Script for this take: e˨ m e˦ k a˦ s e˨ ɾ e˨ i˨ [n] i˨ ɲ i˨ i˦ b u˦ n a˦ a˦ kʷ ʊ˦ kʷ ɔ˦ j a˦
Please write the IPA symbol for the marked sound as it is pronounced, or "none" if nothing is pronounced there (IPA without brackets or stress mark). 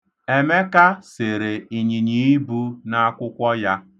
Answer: ɲ